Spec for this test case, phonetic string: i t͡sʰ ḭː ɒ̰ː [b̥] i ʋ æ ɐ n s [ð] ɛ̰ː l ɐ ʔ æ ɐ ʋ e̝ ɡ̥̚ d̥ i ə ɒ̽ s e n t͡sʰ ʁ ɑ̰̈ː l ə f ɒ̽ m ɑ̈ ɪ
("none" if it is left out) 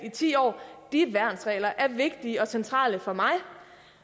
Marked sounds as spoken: d̥, ʁ

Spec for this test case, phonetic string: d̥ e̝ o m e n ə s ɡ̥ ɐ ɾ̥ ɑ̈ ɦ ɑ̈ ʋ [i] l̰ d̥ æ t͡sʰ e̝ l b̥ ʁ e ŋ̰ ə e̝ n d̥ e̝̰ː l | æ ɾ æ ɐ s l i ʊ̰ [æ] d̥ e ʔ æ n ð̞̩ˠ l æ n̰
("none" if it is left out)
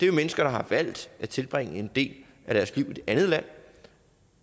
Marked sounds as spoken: æ, i

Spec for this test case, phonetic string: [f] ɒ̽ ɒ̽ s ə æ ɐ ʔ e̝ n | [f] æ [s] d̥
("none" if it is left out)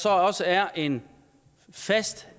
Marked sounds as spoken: s, f, s

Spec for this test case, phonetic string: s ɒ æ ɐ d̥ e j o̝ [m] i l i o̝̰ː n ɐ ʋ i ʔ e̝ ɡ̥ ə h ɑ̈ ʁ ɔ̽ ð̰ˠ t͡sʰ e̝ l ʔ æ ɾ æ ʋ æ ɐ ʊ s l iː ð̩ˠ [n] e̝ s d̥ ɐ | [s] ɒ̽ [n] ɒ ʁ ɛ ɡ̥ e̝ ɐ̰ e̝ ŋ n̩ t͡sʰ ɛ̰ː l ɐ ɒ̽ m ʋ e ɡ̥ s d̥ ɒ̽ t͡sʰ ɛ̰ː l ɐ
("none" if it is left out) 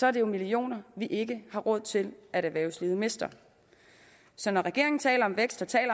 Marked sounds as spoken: m, m, s, n

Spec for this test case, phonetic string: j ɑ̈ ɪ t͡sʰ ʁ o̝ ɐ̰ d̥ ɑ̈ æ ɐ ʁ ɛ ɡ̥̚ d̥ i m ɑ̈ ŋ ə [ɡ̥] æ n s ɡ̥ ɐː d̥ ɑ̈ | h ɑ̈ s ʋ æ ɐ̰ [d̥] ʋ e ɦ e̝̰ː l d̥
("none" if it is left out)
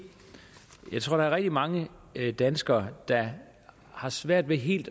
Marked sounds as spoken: d̥, d̥

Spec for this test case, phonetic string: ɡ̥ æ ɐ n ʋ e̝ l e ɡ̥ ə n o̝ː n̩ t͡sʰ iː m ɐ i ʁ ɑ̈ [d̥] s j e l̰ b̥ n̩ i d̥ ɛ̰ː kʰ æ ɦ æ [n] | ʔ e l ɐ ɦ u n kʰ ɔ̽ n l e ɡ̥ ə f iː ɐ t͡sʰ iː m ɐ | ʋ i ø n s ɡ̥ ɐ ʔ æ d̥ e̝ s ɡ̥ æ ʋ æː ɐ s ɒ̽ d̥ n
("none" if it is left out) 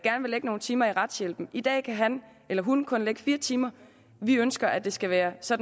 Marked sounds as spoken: d̥, n

